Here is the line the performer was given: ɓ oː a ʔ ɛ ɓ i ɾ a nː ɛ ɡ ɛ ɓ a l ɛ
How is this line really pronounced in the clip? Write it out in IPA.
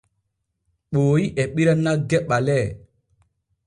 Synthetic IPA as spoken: ɓ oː i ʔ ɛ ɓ i ɾ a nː a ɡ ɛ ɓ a l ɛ